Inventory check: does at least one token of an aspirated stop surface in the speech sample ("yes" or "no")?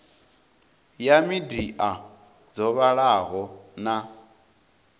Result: no